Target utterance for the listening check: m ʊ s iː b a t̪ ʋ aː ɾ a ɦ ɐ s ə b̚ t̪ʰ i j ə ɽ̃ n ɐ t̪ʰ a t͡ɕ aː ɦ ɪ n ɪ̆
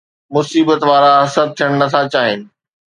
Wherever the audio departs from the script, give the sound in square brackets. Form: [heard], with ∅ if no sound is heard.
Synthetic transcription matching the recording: m ʊ s iː b [ə] t̪ ʋ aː ɾ a ɦ ɐ s ə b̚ t̪ʰ i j ə ɽ̃ n ɐ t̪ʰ a t͡ɕ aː ɦ ɪ n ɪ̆